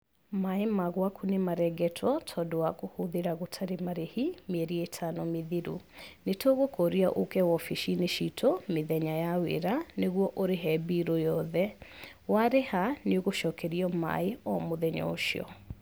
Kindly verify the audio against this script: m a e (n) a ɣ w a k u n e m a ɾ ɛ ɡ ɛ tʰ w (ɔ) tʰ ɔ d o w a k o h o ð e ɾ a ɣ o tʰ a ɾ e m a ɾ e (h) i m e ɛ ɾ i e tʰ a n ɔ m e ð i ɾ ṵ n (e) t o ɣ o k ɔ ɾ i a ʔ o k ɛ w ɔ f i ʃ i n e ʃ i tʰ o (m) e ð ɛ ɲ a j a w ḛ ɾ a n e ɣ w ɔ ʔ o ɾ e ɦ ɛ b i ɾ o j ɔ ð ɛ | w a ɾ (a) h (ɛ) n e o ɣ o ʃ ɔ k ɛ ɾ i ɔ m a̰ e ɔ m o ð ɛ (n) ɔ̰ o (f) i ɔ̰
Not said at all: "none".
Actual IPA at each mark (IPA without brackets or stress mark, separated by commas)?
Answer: m, ɔ, h, e, m, e, a, ɲ, ʃ